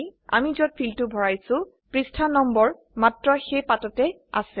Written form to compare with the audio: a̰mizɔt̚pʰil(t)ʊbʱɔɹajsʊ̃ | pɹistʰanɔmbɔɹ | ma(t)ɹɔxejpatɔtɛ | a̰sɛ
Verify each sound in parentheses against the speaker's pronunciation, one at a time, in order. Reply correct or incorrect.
correct, correct

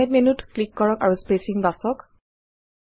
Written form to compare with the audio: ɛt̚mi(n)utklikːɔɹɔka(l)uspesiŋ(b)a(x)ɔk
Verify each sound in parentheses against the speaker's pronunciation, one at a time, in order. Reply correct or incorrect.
correct, incorrect, correct, incorrect

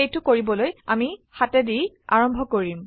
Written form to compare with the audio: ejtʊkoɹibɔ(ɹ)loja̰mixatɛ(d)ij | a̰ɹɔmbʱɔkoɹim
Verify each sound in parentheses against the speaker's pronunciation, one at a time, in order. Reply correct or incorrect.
incorrect, correct

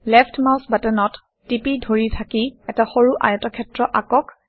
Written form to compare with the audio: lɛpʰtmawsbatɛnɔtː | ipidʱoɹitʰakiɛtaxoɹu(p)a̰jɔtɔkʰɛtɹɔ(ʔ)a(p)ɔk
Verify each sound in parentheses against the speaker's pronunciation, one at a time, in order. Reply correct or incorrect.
incorrect, correct, incorrect

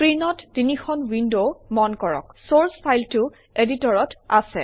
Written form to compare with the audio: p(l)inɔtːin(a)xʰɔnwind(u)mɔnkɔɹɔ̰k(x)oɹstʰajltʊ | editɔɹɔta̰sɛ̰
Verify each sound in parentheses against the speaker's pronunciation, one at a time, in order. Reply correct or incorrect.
incorrect, incorrect, incorrect, incorrect

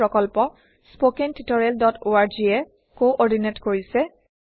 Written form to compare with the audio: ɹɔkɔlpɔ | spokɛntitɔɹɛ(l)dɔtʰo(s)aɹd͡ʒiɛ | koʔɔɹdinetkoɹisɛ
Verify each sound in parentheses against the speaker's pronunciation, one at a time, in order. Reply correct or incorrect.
correct, incorrect

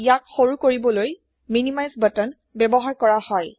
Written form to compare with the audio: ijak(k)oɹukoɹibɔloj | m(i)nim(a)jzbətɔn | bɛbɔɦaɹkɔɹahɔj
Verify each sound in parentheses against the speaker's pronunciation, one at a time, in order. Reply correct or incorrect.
incorrect, correct, correct

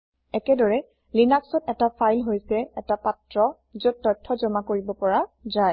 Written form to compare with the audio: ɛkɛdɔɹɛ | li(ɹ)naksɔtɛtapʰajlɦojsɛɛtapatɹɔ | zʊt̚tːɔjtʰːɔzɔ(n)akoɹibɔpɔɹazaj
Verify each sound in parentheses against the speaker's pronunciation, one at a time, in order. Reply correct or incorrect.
incorrect, incorrect

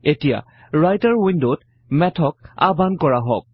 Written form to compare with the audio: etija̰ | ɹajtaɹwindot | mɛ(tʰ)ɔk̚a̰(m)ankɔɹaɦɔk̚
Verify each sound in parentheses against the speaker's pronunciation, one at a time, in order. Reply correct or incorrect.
correct, incorrect

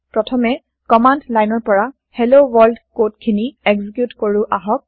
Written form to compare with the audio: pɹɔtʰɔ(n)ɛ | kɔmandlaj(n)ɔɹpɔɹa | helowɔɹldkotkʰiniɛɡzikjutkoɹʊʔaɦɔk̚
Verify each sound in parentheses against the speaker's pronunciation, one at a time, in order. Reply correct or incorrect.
incorrect, correct

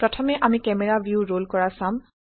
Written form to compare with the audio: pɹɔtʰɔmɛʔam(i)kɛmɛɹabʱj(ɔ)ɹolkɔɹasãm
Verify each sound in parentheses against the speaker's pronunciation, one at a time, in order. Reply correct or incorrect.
correct, incorrect

